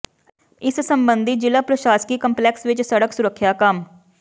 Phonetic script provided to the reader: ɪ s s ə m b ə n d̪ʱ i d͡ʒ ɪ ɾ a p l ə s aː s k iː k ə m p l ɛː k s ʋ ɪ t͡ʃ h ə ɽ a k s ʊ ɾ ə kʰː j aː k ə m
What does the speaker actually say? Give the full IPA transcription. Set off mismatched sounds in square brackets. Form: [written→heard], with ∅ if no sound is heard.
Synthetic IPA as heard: ɪ s s ə m b ə n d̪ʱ i d͡ʒ ɪ [ɾ→l] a p [l→ɾ] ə [s→ʃ] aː s k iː k ə m p l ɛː k s ʋ ɪ t͡ʃ [h→s] ə ɽ [a→ə] k s ʊ ɾ ə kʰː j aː k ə m